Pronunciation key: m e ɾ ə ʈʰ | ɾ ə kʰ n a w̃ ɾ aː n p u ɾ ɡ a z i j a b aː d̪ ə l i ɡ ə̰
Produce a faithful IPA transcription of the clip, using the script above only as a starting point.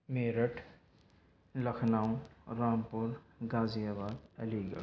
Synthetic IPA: m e ɾ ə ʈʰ | l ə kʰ n a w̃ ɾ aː m p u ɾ ɡ a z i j a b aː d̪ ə l i ɡ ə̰